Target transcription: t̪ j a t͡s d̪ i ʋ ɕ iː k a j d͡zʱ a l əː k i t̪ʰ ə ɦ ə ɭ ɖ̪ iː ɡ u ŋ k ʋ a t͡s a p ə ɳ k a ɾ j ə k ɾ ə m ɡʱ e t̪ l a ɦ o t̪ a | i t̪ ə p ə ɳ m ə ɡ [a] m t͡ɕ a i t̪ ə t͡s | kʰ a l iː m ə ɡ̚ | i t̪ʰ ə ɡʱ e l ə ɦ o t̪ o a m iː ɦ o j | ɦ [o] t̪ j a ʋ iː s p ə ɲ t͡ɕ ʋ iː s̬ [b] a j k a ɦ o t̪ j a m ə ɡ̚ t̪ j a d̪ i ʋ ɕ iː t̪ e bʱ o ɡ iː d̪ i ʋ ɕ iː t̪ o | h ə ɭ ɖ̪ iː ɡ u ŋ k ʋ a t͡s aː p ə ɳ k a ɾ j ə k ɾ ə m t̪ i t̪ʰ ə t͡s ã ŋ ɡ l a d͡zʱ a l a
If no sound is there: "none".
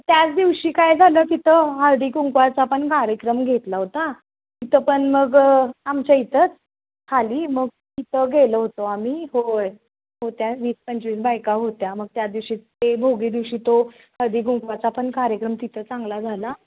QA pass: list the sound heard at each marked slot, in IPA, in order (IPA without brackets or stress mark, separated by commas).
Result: a, o, b